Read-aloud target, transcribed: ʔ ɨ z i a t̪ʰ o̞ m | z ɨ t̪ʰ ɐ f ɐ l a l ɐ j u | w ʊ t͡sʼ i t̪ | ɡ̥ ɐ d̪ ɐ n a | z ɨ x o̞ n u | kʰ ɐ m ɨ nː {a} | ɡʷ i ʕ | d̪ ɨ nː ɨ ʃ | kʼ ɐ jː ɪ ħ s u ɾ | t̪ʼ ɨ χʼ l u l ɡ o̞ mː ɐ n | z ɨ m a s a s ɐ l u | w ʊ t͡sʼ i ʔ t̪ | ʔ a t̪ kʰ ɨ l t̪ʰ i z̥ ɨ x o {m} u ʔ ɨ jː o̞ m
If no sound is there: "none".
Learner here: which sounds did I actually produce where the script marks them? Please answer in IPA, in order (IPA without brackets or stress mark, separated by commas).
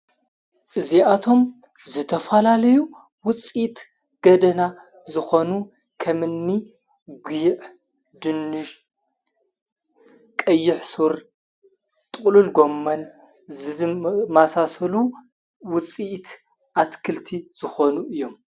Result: i, n